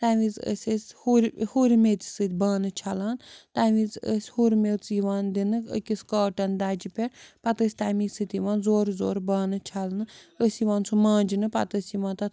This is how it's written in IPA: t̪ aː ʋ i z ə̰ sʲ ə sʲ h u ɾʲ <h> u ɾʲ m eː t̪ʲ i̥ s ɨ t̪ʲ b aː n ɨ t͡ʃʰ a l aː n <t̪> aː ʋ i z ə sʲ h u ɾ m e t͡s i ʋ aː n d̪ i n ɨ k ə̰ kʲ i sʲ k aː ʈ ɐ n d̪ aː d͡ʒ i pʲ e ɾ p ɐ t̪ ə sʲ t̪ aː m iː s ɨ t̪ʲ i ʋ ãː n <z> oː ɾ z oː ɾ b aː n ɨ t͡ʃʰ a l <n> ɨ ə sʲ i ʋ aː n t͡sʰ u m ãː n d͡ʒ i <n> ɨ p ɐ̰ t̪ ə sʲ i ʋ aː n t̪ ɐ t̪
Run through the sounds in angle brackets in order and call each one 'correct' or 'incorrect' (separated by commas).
correct, correct, correct, correct, correct